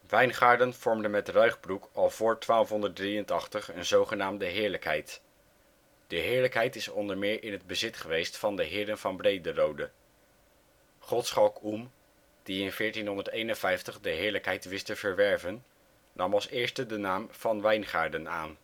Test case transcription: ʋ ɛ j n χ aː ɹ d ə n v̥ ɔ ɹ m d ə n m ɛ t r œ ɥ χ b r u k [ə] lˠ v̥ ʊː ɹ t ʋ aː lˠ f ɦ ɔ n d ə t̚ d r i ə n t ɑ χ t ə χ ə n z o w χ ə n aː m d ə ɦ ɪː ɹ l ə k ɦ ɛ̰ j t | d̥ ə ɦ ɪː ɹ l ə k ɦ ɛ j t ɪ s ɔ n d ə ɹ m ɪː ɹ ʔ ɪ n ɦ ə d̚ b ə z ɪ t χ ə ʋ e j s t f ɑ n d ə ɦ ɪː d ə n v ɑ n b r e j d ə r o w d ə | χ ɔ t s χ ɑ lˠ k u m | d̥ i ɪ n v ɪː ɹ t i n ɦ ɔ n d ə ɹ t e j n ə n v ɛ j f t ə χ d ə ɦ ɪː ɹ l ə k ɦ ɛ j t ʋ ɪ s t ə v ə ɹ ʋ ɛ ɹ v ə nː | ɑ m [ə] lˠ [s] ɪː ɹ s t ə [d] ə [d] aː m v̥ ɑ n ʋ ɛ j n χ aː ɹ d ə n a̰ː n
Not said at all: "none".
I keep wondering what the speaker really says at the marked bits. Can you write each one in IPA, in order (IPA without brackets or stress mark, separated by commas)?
ɑ, ɑ, s, d, n